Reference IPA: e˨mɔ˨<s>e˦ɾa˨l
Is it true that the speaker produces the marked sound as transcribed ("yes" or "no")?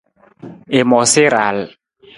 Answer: yes